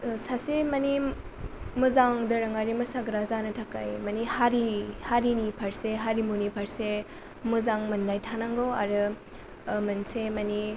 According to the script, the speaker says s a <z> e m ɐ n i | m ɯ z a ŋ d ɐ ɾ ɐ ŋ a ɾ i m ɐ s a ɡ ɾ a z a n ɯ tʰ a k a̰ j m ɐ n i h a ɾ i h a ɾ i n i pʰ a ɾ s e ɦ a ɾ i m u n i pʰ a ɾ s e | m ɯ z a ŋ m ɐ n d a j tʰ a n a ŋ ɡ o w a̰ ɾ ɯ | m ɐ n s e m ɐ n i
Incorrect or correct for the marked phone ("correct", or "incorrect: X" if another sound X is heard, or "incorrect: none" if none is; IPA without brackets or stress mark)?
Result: incorrect: s